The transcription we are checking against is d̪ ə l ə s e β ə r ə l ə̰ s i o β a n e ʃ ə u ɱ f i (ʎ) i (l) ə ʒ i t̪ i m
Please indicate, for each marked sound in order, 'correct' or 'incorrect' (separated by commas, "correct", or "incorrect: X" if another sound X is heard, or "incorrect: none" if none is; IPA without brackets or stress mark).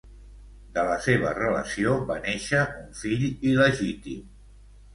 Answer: correct, correct